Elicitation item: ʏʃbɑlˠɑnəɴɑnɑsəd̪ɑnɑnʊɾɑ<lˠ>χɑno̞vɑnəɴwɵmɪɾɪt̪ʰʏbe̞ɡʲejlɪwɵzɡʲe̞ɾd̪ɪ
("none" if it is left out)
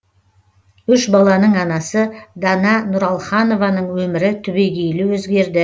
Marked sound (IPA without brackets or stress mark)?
lˠ